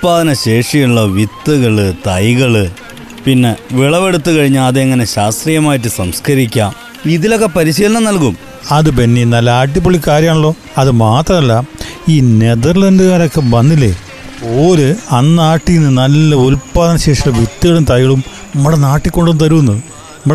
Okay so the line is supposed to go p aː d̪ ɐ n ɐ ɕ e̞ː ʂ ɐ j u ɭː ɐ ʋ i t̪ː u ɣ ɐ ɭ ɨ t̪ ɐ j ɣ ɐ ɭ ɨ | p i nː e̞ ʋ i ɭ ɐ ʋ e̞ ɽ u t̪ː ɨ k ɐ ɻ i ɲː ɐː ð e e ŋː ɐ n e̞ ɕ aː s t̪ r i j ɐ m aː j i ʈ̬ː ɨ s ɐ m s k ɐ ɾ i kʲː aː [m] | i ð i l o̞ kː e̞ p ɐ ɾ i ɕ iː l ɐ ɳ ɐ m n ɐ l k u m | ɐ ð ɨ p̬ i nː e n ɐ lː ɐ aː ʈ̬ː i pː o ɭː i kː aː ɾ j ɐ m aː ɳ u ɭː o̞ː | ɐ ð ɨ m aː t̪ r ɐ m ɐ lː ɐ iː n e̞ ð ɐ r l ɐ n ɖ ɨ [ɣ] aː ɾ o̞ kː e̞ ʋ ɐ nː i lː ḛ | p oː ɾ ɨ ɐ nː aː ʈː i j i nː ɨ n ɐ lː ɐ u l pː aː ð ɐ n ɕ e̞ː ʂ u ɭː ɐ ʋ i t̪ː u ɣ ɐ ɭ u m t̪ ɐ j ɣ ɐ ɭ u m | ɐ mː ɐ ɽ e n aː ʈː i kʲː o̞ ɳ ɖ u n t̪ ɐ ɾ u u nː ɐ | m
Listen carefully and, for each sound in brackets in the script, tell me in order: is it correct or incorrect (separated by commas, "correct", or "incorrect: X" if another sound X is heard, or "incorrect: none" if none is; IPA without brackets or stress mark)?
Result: correct, correct